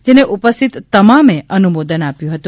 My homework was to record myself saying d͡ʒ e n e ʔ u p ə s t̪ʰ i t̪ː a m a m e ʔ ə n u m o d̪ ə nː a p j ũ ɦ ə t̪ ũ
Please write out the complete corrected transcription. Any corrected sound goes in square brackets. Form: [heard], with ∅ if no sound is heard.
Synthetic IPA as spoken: d͡ʒ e n e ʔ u p ə s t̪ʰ i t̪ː [ə] m a m e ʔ ə n u m o d̪ ə [n] a p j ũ ɦ ə t̪ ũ